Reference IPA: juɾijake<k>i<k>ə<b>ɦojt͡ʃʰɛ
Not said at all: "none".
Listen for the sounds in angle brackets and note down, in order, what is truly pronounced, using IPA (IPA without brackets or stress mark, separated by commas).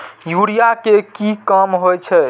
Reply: k, k, m